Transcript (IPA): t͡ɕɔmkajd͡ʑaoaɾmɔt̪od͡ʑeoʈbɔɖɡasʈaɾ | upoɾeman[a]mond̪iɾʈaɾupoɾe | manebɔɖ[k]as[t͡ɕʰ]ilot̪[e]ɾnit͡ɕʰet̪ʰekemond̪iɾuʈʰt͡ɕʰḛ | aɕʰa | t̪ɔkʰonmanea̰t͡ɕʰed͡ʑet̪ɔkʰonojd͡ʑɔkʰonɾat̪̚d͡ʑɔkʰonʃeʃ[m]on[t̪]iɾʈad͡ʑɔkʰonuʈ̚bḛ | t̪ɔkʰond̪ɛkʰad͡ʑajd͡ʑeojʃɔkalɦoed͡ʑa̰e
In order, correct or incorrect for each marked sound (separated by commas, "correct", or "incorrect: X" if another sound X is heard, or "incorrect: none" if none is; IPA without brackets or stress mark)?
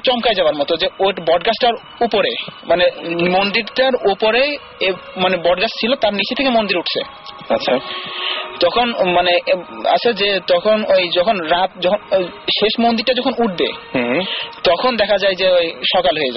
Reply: incorrect: e, incorrect: ɡ, correct, incorrect: a, correct, incorrect: d̪